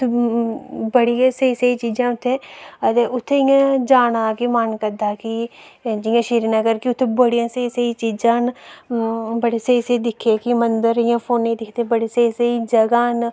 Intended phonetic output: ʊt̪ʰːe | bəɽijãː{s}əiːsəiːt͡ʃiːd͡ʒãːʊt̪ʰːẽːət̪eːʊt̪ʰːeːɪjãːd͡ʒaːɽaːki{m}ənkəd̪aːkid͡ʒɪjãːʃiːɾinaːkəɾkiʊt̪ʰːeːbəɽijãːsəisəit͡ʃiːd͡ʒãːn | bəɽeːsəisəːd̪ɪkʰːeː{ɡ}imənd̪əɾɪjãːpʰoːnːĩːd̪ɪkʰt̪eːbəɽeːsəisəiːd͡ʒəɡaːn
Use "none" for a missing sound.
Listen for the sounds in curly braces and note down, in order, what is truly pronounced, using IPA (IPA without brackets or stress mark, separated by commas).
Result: s, m, k